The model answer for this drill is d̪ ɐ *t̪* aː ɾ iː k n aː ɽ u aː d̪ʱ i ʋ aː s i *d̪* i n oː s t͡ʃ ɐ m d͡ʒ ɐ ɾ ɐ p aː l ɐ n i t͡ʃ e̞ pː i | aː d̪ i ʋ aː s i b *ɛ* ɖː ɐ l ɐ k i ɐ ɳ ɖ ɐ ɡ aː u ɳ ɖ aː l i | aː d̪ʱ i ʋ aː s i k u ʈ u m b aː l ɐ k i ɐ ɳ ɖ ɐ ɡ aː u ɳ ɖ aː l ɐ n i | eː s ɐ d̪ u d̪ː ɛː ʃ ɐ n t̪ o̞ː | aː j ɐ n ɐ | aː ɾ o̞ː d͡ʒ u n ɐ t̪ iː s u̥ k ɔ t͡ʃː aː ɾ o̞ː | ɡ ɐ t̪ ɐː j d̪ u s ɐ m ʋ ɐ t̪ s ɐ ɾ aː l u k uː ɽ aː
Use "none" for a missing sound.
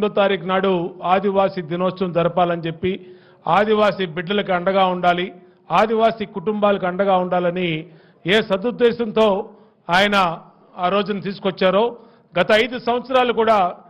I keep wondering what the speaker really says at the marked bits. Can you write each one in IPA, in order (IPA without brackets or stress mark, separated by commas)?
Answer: t̪, d̪, i